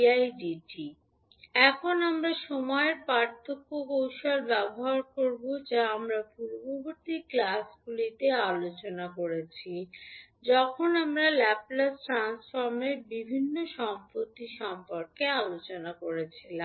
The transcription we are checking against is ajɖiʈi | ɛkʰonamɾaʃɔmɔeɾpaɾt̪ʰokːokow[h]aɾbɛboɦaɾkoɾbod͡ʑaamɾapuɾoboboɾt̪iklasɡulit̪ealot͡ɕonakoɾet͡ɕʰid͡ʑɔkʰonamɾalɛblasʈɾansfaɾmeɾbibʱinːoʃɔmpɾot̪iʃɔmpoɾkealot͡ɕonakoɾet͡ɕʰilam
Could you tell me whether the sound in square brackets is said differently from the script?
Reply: yes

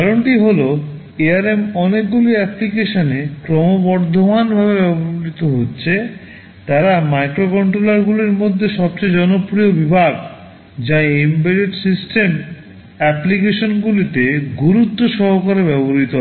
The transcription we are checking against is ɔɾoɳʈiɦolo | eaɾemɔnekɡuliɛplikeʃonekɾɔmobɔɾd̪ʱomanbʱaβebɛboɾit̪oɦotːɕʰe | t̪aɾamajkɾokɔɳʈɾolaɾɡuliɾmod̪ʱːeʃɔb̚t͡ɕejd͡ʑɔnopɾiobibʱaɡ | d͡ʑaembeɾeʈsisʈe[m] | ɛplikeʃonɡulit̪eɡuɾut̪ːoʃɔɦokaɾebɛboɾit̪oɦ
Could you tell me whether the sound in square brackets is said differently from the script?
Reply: no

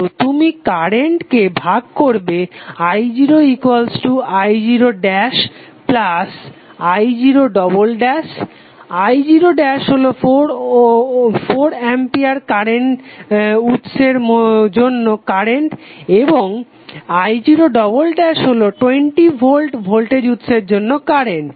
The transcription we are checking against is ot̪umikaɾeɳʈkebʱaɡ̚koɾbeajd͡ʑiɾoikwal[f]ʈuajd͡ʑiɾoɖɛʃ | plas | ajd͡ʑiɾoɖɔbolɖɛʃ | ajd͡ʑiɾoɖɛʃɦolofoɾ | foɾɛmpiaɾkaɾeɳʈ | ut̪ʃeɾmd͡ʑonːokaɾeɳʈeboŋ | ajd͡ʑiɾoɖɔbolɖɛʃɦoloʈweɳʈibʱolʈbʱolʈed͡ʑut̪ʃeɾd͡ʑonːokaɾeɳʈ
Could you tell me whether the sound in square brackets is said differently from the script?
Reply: yes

